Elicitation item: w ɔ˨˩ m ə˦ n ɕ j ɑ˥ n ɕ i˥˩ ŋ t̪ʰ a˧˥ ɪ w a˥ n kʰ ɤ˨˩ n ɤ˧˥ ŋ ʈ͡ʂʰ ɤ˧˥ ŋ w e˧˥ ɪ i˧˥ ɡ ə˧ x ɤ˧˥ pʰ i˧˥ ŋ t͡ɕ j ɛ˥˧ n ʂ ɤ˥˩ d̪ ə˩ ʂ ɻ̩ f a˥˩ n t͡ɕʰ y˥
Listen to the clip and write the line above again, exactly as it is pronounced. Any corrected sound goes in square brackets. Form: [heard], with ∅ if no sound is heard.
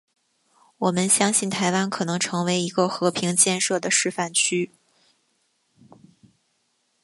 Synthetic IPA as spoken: w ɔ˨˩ m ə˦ n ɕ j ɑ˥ [ŋ] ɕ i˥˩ [n] t̪ʰ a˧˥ ɪ w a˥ n kʰ ɤ˨˩ n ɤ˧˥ ŋ ʈ͡ʂʰ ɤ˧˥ ŋ w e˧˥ ɪ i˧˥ ɡ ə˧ x ɤ˧˥ pʰ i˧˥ ŋ t͡ɕ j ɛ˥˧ n ʂ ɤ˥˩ d̪ ə˩ ʂ ɻ̩ f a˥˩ n t͡ɕʰ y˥